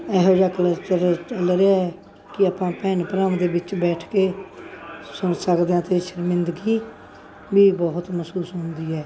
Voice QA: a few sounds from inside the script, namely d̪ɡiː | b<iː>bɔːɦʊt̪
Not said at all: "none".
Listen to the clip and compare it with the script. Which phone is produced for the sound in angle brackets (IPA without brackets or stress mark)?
iː